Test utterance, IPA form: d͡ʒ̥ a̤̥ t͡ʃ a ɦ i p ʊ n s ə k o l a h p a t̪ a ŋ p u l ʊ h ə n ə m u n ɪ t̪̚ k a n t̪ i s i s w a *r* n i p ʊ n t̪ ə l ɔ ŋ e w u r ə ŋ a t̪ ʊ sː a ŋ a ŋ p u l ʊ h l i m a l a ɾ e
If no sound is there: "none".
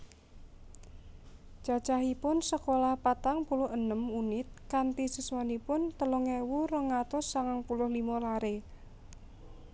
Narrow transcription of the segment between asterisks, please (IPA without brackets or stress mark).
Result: none